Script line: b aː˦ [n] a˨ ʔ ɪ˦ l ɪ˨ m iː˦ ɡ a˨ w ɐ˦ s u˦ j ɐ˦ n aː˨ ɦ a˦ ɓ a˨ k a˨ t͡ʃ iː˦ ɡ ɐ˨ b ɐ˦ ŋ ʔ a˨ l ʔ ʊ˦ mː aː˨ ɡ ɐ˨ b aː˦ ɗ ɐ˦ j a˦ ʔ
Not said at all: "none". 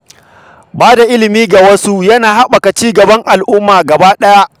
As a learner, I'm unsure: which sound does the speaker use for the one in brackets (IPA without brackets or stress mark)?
d